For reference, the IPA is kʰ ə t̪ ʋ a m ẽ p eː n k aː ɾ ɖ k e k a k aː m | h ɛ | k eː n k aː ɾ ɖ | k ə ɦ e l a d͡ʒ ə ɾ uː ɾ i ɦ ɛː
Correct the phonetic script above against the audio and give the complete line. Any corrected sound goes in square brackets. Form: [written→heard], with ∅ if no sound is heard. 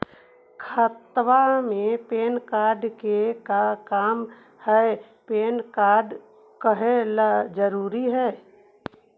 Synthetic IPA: kʰ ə t̪ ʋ a m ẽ p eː n k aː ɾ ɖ k e k a k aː m | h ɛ | [k→p] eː n k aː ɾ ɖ | k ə ɦ e l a d͡ʒ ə ɾ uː ɾ i ɦ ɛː